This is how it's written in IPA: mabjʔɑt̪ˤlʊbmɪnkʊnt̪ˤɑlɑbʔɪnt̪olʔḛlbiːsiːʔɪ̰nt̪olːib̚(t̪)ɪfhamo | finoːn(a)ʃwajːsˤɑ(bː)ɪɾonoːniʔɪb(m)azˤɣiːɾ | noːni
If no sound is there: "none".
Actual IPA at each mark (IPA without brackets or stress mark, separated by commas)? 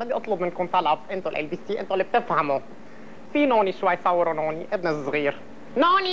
t̪, i, wː, n